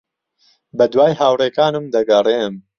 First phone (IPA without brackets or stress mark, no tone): b